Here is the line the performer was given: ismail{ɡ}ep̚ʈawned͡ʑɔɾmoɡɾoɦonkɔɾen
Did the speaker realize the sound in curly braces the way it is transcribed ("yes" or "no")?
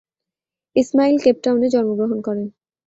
no